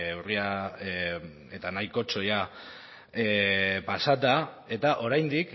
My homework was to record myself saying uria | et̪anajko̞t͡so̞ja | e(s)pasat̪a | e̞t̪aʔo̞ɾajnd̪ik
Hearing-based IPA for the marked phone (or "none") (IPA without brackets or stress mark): none